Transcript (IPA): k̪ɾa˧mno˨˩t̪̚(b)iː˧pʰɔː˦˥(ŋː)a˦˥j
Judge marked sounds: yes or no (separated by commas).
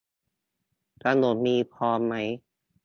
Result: no, no